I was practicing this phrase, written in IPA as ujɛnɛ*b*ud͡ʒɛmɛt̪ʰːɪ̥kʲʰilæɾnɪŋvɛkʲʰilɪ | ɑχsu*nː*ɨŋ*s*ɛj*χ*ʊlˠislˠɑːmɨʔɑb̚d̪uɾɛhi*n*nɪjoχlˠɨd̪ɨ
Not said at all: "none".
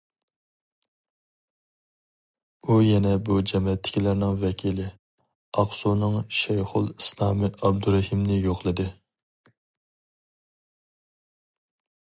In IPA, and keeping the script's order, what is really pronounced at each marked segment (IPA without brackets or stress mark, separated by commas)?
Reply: b, n, ʃ, χ, m